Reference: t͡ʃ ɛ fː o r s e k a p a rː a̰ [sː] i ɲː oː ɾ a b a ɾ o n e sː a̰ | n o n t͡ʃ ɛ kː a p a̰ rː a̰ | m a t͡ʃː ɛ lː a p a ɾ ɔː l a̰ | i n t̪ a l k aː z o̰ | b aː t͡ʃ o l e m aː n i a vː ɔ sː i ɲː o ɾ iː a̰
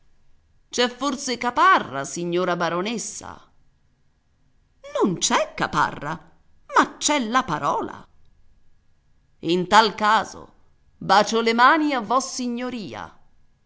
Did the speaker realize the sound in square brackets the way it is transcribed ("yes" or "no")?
no